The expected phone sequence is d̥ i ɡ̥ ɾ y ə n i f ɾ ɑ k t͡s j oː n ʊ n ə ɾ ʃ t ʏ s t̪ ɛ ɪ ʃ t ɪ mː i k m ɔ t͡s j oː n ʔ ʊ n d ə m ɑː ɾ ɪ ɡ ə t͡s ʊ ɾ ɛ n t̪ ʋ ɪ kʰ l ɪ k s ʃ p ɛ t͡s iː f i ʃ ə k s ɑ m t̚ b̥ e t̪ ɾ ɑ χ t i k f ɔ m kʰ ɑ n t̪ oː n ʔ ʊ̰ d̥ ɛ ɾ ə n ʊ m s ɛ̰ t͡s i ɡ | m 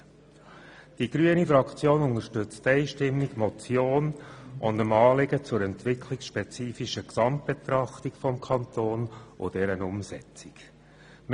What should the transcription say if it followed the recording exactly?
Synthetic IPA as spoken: d̥ i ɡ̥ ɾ y ə n i f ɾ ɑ k t͡s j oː n ʊ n ə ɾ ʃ t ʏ t͡s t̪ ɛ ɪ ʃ t ɪ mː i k m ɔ t͡s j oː n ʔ ʊ n d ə m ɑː l ɪ ɡ ə t͡s ʊ ɾ ɛ n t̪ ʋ ɪ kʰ l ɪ k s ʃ p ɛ t͡s iː f i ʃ ə k s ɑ m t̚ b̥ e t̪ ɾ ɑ χ t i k f ɔ m kʰ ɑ n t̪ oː n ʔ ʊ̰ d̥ ɛ ɾ ə n ʊ m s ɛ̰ t͡s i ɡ | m